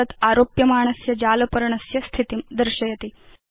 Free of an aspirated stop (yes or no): no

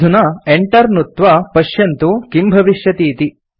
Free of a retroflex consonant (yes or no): no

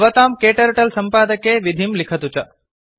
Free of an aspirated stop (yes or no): no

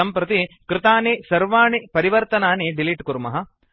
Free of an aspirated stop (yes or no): yes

